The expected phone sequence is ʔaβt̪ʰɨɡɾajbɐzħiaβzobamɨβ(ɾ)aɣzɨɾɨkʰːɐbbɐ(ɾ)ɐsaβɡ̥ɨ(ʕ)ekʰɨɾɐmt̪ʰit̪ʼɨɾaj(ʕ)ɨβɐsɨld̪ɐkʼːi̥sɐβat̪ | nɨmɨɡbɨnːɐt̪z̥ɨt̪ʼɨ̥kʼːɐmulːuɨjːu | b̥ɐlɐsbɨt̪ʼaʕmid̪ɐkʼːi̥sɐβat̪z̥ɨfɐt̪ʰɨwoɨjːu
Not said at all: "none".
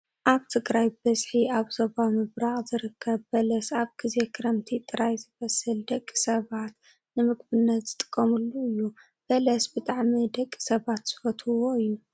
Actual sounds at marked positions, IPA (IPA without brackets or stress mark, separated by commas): ɾ, l, z, z